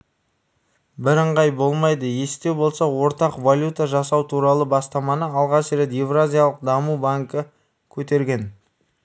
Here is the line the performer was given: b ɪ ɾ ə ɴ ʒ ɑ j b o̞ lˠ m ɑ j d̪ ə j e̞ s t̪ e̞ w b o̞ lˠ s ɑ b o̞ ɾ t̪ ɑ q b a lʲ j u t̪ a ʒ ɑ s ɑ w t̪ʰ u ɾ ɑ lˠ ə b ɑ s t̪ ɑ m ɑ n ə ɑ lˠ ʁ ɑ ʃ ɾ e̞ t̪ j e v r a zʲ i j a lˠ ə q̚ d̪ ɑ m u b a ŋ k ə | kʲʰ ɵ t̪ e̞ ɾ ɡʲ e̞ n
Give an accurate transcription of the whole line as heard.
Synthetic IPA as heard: b ɪ ɾ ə ɴ ʁ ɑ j b o̞ lˠ m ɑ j d̪ ə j e̞ s t̪ e̞ w b o̞ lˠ s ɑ w o̞ ɾ t̪ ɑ q v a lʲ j u t̪ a ʒ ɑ s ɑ w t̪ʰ u ɾ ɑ lˠ ə b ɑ s t̪ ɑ m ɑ n ə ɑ lˠ ʁ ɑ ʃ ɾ e̞ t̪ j e v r a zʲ i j a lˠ ə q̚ d̪ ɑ m u b a ŋ k ə | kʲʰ ɵ t̪ e̞ ɾ ɡʲ e̞ n